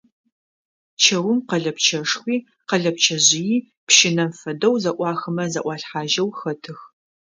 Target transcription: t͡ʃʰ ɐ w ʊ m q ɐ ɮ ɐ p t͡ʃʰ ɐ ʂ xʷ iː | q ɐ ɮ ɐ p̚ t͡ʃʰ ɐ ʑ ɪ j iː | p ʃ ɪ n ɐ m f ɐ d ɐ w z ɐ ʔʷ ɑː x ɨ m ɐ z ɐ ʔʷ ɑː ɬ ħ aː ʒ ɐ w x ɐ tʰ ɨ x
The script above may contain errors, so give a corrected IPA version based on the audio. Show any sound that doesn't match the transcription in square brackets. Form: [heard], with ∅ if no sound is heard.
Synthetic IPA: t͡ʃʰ ɐ w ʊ m q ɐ ɮ ɐ p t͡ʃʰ ɐ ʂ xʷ iː | q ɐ ɮ ɐ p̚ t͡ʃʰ ɐ ʑ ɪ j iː | p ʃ ɪ n ɐ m f ɐ d ɐ w z ɐ ʔʷ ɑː x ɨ m ɐ z ɐ ʔʷ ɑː ɬ ħ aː ʒ ɐ w x ɐ tʰ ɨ x

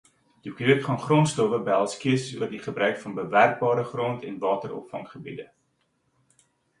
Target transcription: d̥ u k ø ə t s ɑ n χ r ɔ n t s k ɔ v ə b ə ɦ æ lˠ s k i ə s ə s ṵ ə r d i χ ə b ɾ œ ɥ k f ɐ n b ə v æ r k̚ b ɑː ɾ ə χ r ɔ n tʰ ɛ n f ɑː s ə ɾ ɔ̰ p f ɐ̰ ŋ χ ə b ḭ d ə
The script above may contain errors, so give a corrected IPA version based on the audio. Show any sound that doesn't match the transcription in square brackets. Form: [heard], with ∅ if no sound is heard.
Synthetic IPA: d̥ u k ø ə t [χ] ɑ n χ r ɔ n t s [t] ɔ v ə b ə ɦ æ lˠ s k i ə s ə s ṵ ə r d i χ ə b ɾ œ ɥ k f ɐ n b ə v æ r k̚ b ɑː ɾ ə χ r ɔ n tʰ ɛ n [v] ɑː [t] ə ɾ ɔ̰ p f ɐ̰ ŋ χ ə b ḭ d ə

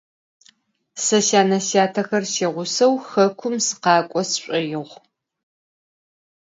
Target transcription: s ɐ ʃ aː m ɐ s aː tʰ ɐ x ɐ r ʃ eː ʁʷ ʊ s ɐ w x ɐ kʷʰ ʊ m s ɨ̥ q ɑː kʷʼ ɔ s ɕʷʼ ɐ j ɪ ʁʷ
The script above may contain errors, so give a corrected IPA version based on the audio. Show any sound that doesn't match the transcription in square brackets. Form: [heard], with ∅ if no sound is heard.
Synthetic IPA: s ɐ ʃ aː [n] ɐ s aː tʰ ɐ x ɐ r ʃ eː ʁʷ ʊ s ɐ w x ɐ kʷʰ ʊ m s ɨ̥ q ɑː kʷʼ ɔ s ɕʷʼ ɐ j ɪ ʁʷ

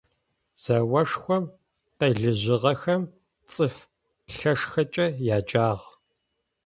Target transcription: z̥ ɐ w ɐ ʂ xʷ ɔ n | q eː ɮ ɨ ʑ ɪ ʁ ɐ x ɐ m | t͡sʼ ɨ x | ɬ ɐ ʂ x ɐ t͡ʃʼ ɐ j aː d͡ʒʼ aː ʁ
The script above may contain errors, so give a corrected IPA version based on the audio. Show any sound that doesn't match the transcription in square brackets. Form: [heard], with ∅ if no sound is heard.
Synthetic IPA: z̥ ɐ w ɐ ʂ xʷ ɔ [m] | q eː ɮ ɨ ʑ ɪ ʁ ɐ x ɐ m | t͡sʼ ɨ [f] | ɬ ɐ ʂ x ɐ t͡ʃʼ ɐ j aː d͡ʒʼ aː ʁ

